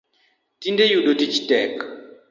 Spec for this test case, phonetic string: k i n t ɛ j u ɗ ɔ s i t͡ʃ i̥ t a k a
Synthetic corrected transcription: t i n d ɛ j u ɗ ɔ t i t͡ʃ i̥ t ɛ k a